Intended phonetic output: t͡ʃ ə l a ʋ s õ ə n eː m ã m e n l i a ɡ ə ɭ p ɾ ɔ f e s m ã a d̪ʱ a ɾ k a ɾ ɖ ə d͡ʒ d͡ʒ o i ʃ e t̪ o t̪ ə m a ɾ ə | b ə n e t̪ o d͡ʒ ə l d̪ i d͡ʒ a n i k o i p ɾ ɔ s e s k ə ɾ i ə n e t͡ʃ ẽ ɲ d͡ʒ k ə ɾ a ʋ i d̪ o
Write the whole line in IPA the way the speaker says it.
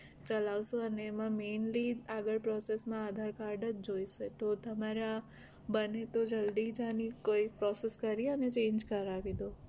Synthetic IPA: t͡ʃ ə l a ʋ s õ ə n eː m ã m e n l i a ɡ ə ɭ p ɾ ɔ s e s m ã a d̪ʱ a ɾ k a ɾ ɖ ə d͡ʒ d͡ʒ o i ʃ e t̪ o t̪ ə m a ɾ a | b ə n e t̪ o d͡ʒ ə l d̪ i d͡ʒ a n i k o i p ɾ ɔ s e s k ə ɾ i ə n e t͡ʃ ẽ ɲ d͡ʒ k ə ɾ a ʋ i d̪ o